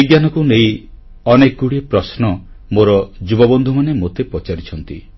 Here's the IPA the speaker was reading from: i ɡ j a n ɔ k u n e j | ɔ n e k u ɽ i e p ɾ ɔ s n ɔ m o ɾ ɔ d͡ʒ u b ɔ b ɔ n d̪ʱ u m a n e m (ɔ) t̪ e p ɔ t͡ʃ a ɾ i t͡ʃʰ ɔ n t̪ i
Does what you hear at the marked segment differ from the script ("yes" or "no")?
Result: yes